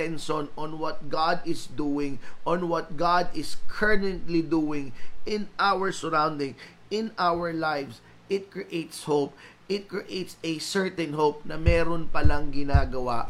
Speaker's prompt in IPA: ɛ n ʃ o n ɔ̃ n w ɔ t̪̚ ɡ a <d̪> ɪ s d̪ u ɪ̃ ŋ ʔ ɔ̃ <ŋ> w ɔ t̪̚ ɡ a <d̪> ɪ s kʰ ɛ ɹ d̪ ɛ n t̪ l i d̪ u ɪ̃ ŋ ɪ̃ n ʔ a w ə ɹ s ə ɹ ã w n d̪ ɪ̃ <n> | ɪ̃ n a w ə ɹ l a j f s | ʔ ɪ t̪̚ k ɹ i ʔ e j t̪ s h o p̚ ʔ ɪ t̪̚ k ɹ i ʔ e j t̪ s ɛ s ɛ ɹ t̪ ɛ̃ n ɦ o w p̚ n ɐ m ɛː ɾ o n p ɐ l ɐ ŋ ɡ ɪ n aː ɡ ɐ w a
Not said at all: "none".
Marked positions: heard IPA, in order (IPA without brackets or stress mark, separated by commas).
d̪, n, d̪, ŋ